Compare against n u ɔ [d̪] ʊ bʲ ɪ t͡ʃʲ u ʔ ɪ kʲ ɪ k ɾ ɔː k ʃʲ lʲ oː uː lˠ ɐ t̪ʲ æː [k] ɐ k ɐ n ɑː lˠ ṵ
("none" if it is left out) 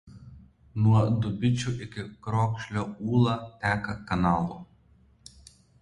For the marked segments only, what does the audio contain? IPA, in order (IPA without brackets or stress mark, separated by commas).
d̪, k